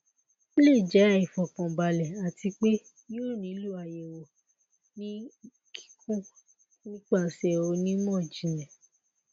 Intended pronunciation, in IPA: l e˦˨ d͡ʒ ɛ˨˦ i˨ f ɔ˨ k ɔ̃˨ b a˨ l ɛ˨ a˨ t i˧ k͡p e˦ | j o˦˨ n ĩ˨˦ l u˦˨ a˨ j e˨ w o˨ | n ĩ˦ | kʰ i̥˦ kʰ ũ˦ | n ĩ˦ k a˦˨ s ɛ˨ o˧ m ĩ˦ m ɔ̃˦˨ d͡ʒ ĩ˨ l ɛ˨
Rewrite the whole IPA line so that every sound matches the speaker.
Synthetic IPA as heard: l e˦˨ d͡ʒ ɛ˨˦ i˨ f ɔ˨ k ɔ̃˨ b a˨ l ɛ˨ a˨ t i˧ k͡p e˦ | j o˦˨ n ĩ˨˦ l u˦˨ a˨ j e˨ w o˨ | n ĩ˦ | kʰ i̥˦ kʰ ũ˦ | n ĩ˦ k͡p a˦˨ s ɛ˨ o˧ n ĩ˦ m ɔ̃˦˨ d͡ʒ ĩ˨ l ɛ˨